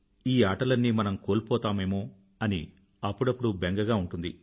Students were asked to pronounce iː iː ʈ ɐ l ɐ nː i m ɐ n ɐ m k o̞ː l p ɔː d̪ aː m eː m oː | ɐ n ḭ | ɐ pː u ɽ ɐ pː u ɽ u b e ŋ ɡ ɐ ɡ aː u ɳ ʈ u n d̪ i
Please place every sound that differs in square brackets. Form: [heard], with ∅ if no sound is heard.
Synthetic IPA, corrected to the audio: iː [aː] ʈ ɐ l ɐ nː i m ɐ n ɐ m k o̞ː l p ɔː [t̪] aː m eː m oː | ɐ n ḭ | ɐ pː u ɽ ɐ pː u ɽ u b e ŋ ɡ ɐ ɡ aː u ɳ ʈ u n d̪ i